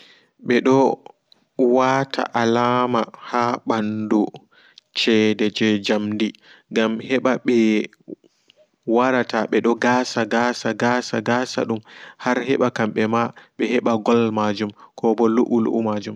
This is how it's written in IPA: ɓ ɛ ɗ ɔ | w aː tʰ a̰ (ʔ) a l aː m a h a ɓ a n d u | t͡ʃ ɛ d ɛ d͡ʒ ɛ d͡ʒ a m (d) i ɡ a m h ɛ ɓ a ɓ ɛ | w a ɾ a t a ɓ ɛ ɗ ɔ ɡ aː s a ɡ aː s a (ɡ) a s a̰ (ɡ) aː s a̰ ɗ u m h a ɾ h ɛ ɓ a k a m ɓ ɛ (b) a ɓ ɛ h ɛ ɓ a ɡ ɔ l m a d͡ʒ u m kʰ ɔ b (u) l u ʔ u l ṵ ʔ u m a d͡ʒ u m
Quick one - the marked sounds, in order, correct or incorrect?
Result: correct, correct, correct, correct, incorrect, incorrect

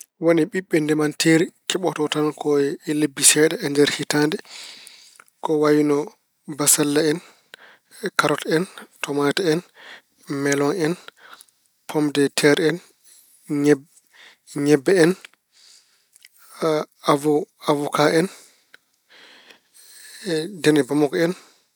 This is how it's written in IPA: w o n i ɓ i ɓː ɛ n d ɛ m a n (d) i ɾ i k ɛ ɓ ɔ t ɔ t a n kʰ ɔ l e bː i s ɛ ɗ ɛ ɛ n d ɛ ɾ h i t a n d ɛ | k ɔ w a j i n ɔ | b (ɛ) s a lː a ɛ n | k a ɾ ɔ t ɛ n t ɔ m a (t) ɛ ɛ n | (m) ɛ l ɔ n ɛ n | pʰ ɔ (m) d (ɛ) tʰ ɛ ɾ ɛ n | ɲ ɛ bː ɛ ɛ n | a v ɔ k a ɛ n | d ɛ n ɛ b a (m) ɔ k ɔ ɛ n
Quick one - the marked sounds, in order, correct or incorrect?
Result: incorrect, incorrect, correct, correct, correct, correct, correct

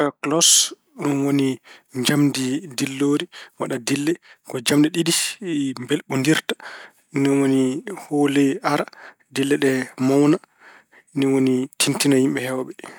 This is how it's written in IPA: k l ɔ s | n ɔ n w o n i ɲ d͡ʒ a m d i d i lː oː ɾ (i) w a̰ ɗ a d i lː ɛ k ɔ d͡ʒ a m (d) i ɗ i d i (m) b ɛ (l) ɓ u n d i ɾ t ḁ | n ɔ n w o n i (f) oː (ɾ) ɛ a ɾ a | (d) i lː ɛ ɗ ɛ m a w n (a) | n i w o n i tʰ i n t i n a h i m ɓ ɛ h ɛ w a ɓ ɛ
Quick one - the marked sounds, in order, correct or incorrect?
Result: correct, correct, correct, correct, incorrect, incorrect, correct, correct

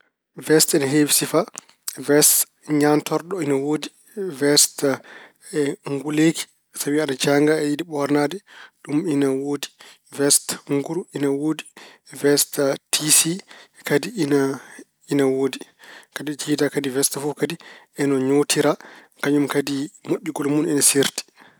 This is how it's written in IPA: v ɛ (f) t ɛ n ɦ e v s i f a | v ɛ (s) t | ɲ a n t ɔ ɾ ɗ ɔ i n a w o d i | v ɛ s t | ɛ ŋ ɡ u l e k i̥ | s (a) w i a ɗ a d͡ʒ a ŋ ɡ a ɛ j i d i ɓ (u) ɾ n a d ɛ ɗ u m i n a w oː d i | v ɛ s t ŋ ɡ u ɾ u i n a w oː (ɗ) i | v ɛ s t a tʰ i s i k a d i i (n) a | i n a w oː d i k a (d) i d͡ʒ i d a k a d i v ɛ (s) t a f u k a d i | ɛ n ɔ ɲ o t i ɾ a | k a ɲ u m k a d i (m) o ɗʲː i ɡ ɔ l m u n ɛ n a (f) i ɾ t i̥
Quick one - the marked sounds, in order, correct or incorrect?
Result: incorrect, correct, correct, incorrect, incorrect, correct, correct, correct, correct, incorrect

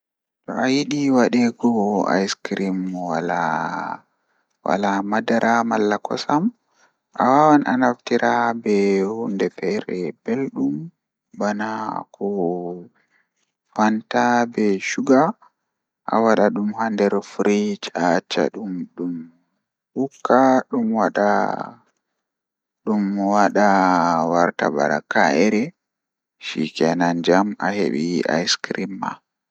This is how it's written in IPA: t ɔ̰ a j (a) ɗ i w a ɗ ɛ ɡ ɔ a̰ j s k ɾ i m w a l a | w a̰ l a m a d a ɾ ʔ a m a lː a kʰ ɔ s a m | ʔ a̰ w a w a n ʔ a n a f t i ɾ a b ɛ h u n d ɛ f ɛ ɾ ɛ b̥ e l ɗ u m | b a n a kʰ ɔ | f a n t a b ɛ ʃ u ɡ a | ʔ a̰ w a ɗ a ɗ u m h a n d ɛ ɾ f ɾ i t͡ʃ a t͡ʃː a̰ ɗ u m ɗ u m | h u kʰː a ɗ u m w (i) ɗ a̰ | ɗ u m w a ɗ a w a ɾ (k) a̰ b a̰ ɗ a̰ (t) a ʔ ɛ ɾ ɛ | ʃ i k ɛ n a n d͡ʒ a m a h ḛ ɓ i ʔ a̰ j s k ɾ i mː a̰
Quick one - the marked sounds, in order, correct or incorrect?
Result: incorrect, incorrect, incorrect, incorrect

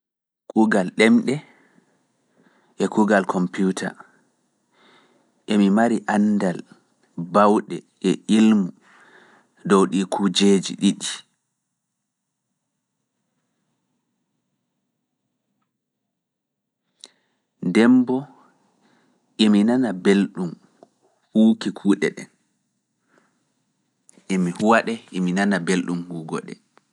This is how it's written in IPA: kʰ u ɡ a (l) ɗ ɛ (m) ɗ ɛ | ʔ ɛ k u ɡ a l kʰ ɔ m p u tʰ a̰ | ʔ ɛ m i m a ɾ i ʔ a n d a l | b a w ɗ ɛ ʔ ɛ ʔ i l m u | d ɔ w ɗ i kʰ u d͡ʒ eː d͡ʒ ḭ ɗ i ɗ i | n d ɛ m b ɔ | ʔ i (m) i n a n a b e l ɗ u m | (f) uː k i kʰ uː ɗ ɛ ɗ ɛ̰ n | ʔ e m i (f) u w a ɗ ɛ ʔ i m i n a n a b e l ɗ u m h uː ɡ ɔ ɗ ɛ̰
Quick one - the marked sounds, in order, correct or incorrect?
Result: correct, correct, correct, incorrect, incorrect

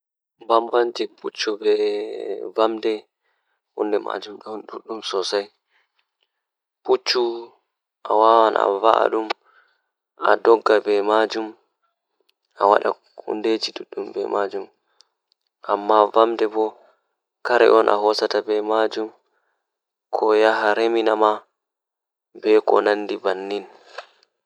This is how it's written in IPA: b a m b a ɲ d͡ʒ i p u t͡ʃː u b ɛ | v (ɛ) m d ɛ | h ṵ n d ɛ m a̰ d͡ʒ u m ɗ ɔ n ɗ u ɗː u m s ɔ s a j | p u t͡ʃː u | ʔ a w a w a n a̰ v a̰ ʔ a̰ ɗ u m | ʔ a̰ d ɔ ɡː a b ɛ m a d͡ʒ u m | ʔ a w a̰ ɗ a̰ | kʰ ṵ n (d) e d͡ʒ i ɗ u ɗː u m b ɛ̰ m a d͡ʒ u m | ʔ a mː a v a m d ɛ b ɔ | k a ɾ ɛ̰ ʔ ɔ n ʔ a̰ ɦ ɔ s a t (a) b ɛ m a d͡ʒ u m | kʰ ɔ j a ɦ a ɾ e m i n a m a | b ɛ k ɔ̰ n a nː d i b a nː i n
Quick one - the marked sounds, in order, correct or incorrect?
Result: incorrect, correct, correct

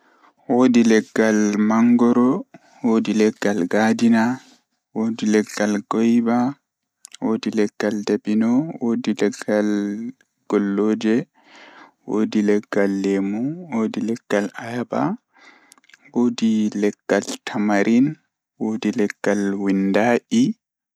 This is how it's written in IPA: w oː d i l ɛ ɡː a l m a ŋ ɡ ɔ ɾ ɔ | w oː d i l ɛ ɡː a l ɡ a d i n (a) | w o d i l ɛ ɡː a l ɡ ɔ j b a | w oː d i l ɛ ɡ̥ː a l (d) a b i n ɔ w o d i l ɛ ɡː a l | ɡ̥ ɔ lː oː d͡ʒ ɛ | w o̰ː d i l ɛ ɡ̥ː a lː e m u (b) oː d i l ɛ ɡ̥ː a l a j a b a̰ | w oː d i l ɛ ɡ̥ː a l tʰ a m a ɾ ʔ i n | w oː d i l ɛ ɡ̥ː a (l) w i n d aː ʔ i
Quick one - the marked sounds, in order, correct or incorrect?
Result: correct, correct, incorrect, correct

